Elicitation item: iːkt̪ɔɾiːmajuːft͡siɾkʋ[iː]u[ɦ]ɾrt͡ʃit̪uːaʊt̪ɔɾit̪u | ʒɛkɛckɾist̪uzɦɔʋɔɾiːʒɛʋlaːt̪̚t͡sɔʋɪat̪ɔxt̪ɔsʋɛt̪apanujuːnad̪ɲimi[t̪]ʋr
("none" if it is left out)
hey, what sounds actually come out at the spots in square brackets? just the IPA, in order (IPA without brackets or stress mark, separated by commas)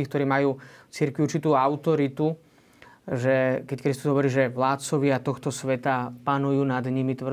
i, none, t̪